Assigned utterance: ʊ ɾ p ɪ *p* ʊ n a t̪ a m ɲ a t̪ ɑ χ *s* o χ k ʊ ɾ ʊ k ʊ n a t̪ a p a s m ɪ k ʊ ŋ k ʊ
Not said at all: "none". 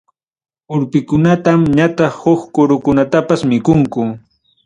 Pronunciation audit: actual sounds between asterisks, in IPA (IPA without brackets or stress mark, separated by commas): k, h